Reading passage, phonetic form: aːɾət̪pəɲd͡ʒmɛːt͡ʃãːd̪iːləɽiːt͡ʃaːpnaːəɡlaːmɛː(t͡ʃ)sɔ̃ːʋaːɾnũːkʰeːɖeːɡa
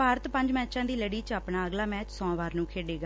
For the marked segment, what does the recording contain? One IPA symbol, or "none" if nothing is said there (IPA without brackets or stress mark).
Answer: t͡ʃ